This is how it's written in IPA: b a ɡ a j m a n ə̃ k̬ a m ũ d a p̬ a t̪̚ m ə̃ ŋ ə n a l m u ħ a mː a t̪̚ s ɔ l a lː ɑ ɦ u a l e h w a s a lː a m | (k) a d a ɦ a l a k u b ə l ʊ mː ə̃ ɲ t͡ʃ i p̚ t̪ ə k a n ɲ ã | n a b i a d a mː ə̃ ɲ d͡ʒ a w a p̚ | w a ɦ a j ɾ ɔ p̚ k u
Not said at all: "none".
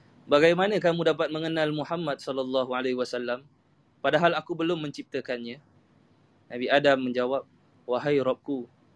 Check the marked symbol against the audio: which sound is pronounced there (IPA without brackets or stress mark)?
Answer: p